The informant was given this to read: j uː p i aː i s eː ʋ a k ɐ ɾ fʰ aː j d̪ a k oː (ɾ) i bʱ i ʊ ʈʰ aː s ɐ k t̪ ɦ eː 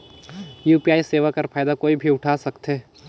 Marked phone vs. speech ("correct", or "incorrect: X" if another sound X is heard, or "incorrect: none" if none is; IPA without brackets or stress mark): incorrect: none